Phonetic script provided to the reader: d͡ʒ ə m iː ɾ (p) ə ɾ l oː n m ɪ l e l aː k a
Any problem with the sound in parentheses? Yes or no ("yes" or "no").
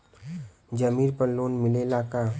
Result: no